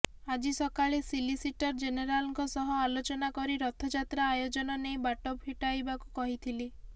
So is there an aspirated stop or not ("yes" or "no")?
yes